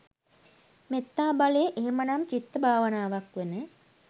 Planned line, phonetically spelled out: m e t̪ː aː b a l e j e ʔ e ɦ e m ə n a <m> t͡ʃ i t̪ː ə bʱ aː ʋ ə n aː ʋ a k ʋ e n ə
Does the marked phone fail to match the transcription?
no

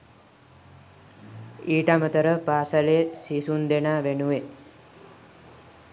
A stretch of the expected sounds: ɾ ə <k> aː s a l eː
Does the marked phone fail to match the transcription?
yes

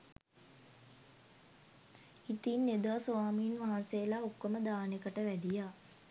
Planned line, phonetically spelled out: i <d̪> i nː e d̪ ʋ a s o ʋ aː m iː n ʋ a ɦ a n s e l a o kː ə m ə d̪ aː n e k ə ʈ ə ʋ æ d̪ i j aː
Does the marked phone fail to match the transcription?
yes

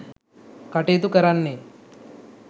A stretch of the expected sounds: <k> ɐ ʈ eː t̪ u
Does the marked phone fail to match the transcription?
no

